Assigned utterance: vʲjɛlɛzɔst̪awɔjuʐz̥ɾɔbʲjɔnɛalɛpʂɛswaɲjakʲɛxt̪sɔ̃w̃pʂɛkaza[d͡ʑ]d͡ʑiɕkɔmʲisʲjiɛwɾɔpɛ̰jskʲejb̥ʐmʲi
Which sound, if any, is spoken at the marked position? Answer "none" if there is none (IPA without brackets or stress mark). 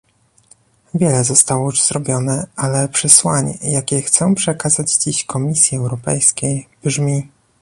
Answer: d͡ʑ